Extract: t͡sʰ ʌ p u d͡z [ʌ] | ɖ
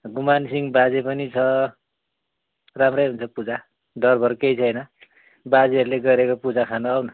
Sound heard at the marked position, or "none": a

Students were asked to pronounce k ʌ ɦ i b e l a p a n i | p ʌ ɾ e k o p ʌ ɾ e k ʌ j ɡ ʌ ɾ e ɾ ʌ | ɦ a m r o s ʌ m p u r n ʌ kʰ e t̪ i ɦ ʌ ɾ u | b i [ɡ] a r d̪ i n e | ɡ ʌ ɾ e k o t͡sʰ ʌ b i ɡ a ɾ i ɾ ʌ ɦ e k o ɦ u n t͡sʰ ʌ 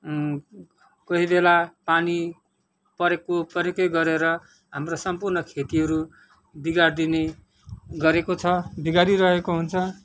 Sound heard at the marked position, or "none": ɡ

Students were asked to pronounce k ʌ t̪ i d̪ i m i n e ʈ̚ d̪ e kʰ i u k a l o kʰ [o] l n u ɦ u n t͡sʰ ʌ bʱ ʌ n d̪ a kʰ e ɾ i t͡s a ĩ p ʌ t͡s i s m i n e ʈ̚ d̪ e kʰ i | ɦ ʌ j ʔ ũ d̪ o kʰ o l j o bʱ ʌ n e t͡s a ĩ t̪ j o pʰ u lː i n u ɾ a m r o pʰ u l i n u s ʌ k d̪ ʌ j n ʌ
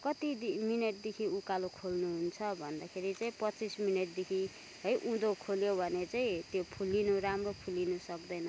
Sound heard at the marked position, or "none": o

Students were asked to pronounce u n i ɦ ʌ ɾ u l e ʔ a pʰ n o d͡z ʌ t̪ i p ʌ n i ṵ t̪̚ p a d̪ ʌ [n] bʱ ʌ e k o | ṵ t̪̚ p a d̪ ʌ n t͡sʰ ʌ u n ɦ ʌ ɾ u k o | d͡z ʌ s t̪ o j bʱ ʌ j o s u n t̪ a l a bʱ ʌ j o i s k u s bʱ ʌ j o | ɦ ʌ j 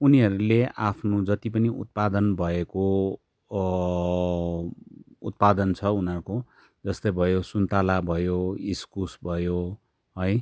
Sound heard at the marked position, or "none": n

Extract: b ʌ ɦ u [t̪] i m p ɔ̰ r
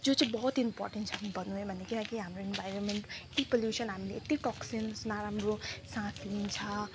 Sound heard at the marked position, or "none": t̪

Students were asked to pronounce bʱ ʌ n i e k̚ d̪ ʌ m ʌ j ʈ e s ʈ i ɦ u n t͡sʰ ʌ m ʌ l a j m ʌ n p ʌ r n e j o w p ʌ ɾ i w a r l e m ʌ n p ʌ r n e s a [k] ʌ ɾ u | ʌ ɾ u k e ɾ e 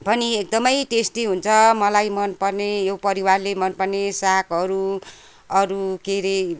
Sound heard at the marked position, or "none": k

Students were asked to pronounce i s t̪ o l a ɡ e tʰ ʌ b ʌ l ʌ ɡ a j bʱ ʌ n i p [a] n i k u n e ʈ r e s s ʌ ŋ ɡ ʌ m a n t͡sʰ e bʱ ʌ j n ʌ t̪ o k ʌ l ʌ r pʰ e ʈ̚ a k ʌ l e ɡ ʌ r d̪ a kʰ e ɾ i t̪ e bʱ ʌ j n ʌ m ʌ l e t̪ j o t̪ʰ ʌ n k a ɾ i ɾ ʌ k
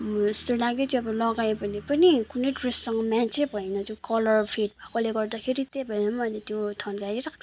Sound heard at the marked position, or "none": ʌ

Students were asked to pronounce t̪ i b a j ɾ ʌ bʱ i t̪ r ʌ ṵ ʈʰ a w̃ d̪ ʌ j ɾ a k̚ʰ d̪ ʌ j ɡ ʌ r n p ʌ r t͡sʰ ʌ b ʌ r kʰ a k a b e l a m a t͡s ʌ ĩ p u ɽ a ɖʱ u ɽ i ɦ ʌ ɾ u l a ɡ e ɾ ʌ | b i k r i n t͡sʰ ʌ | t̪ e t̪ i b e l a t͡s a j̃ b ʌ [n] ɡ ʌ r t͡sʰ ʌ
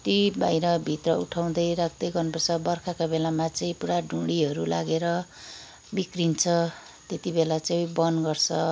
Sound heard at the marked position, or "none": n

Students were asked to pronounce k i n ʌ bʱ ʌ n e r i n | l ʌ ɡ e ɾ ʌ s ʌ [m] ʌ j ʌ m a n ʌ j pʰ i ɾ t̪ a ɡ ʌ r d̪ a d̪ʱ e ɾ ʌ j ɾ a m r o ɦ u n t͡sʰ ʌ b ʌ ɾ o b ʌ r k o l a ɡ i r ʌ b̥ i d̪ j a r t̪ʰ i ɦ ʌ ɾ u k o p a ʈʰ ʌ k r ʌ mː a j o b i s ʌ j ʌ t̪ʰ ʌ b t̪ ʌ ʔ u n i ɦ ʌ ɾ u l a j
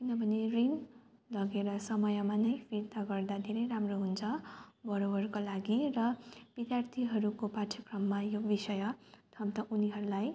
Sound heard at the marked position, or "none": m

